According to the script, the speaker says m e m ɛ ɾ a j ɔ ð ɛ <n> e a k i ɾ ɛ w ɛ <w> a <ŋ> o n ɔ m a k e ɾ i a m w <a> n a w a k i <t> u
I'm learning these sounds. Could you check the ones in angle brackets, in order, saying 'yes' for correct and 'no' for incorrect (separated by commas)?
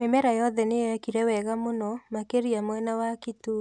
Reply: yes, no, no, no, yes